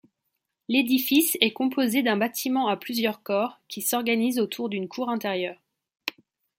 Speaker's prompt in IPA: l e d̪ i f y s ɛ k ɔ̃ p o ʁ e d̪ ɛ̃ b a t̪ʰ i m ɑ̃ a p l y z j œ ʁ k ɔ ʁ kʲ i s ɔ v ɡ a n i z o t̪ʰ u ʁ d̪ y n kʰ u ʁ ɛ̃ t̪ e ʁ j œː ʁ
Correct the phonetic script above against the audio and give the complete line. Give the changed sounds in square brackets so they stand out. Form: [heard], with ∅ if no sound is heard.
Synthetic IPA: l e d̪ i f [i] s ɛ k ɔ̃ p o [z] e d̪ ɛ̃ b a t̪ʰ i m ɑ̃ a p l y z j œ ʁ k ɔ ʁ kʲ i s ɔ [ʁ] ɡ a n i z o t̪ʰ u ʁ d̪ y n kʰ u ʁ ɛ̃ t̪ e ʁ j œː ʁ